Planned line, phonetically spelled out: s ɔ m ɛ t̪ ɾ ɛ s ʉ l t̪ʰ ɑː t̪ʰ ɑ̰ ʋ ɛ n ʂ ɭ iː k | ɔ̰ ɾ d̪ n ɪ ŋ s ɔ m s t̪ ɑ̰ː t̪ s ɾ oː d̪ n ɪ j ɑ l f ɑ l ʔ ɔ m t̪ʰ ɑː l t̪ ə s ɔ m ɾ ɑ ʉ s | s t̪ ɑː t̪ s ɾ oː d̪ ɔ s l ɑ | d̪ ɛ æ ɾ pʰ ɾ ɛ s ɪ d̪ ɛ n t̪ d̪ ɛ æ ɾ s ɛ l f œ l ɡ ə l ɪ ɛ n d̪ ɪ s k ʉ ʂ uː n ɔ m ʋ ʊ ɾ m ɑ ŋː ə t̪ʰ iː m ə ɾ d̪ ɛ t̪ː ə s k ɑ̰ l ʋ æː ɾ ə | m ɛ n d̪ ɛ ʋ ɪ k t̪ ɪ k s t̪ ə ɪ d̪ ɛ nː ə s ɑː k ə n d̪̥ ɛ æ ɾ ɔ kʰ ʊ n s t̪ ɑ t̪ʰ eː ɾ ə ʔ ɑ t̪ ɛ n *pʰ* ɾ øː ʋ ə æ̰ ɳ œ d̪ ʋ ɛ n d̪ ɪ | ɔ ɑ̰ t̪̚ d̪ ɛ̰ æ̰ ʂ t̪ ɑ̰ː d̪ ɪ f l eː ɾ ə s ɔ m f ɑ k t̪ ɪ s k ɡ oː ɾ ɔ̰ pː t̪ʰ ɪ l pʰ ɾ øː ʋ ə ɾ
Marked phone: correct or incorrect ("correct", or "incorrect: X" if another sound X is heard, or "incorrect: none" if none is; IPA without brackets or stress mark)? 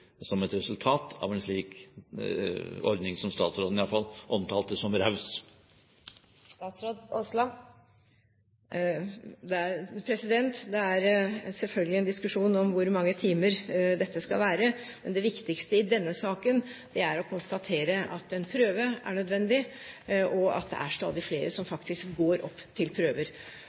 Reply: correct